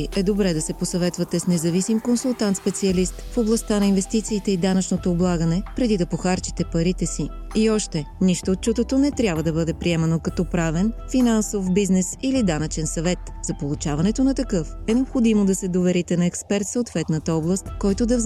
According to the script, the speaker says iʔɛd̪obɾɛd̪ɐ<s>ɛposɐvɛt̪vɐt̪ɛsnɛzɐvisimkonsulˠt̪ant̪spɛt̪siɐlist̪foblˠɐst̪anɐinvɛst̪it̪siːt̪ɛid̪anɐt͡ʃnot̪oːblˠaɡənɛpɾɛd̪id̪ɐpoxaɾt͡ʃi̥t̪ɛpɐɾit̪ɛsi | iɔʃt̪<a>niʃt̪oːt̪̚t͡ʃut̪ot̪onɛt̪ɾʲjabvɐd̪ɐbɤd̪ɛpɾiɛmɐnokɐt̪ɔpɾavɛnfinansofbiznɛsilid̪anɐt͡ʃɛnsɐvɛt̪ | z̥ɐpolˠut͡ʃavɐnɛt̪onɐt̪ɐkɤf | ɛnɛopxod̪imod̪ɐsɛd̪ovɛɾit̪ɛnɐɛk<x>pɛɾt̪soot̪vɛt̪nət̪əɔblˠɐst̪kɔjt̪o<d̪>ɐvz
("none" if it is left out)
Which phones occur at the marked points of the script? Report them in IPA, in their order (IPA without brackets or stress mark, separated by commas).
s, ɛ, s, d̪